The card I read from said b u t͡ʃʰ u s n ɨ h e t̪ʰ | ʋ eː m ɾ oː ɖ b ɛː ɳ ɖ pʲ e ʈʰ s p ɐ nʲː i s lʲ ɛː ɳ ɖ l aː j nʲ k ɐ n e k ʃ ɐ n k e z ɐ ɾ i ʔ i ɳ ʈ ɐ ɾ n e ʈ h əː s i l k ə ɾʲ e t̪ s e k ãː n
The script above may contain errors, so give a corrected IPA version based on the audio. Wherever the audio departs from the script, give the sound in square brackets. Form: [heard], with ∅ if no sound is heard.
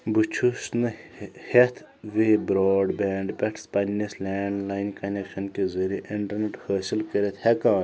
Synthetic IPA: b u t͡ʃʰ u s n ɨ h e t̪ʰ | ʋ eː [b] ɾ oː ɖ b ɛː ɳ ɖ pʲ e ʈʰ s p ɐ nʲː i s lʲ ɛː ɳ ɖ l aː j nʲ k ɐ n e k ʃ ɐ n k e z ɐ ɾ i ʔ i ɳ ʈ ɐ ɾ n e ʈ h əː s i l k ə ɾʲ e t̪ [h] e k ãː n

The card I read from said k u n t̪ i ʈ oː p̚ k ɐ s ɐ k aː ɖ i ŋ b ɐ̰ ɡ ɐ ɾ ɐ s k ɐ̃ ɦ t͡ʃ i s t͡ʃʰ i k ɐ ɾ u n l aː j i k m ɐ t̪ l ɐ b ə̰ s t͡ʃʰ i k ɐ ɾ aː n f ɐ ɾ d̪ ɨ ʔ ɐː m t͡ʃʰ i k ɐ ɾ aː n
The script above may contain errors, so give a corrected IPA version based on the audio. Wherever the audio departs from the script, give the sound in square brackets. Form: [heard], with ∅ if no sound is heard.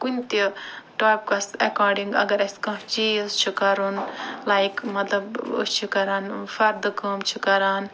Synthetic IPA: k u n t̪ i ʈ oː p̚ k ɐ s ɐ k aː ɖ i ŋ [ɡ] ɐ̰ ɡ ɐ ɾ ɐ s k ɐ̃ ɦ t͡ʃ i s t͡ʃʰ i k ɐ ɾ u n l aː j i k m ɐ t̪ l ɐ b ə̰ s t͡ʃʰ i k ɐ ɾ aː n f ɐ ɾ d̪ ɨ [k] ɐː m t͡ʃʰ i k ɐ ɾ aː n

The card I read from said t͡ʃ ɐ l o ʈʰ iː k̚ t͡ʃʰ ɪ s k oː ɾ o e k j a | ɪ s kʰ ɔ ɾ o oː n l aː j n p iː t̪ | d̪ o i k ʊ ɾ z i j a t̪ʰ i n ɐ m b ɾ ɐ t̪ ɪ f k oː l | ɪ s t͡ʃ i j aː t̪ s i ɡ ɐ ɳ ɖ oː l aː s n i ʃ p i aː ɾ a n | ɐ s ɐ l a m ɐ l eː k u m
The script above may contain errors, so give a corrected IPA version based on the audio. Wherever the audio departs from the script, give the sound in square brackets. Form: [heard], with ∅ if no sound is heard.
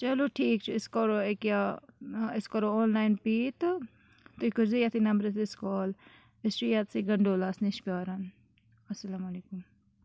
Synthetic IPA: t͡ʃ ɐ l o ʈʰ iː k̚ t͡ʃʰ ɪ s k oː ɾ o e k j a | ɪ s [k] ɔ ɾ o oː n l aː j n p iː t̪ | [t̪] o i k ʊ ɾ z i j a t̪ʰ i n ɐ m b ɾ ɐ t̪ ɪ [s] k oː l | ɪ s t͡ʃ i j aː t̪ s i ɡ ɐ ɳ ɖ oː l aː s n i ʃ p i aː ɾ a n | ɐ s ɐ l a m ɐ l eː k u m

